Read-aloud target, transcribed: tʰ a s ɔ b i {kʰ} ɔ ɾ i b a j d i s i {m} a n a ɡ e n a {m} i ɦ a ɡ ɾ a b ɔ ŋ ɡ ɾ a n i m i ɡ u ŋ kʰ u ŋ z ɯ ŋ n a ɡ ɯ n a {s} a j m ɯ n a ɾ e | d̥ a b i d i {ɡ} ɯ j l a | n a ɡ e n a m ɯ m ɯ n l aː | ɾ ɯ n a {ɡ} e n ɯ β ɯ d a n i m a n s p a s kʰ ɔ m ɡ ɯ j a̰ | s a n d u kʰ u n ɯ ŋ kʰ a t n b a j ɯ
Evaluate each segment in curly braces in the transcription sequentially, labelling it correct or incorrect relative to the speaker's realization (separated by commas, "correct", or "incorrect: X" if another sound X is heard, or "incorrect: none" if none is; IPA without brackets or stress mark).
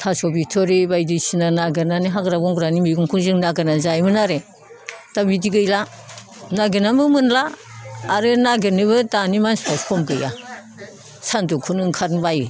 incorrect: tʰ, incorrect: n, incorrect: n, incorrect: z, correct, correct